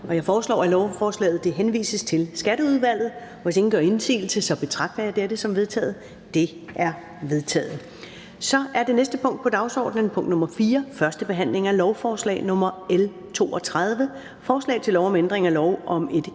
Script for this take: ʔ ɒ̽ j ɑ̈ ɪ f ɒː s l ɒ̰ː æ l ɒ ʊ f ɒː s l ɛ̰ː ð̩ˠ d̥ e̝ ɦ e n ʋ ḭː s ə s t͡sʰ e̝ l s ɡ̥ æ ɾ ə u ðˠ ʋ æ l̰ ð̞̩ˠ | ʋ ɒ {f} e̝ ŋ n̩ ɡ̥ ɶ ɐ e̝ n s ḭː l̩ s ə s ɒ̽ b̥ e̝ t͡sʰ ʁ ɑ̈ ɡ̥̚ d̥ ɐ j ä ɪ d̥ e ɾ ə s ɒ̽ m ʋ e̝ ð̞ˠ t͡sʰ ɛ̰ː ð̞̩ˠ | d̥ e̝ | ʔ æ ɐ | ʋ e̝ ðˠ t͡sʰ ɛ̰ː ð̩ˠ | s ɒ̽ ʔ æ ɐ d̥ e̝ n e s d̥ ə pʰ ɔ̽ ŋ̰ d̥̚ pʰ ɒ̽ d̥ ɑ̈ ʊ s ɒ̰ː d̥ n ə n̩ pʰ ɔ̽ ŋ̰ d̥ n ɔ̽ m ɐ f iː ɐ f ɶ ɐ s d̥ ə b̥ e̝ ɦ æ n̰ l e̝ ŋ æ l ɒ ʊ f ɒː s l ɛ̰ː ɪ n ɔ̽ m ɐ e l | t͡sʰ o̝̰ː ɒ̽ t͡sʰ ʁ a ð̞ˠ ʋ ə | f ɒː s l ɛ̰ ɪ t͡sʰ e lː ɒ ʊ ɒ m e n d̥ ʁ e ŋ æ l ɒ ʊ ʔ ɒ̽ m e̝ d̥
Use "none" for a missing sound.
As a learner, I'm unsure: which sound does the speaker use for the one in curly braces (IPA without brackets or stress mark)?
s